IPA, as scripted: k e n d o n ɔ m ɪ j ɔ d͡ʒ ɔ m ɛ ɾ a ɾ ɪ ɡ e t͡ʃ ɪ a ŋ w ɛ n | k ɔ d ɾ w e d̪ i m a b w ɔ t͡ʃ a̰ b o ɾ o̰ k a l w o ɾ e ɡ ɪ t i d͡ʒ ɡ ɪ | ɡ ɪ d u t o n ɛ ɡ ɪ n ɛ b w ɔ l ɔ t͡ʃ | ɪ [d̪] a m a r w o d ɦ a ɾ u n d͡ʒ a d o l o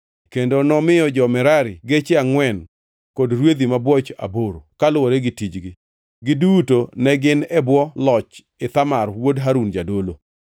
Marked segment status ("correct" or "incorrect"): incorrect